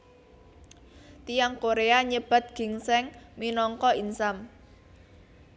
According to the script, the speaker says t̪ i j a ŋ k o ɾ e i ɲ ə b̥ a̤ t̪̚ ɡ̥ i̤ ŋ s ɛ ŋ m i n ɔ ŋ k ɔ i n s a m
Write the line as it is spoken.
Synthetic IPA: t̪ i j a ŋ k o ɾ e a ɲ ə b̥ a̤ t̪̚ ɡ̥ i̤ ŋ s ɛ ŋ m i n ɔ ŋ k ɔ i n s a m